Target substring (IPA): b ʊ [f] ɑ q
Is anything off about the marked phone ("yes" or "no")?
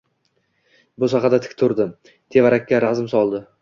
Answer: yes